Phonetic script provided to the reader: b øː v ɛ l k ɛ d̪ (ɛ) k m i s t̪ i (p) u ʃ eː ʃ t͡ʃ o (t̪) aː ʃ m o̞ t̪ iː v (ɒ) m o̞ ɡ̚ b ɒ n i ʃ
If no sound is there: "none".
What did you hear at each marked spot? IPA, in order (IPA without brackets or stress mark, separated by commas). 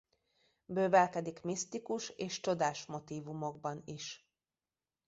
i, k, d̪, u